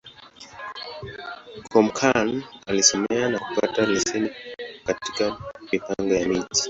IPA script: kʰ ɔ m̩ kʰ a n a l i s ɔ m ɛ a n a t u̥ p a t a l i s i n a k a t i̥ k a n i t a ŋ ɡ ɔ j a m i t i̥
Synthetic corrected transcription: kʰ ɔ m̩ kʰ a n a l i s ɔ m ɛ a n a k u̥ p a t a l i s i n i k a t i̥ k a m i p a ŋ ɡ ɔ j a m i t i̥